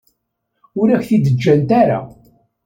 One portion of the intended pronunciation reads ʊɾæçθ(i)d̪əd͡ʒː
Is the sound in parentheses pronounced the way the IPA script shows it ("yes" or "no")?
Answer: yes